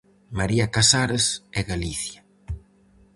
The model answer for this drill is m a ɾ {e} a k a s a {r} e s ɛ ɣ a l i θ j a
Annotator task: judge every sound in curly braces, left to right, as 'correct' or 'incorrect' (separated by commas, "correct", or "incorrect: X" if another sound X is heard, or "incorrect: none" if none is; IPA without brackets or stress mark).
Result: incorrect: i, incorrect: ɾ